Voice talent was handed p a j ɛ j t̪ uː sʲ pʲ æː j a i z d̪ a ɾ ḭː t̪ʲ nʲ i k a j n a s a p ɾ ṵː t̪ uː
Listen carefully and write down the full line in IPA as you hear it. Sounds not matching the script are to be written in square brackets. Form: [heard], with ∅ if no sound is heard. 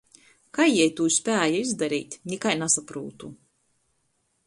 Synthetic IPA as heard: [k] a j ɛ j t̪ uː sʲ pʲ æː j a i z d̪ a ɾ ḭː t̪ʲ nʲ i k a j n a s a p ɾ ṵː t̪ [u]